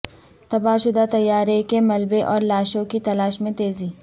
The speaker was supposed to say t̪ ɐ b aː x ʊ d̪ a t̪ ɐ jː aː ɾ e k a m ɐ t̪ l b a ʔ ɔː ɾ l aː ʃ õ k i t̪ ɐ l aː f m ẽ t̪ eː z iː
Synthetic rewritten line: t̪ ɐ b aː ʃ ʊ d̪ a t̪ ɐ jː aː ɾ e k e m ɐ l b e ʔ ɔː ɾ l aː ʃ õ k i t̪ ɐ l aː ʃ m ẽ t̪ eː z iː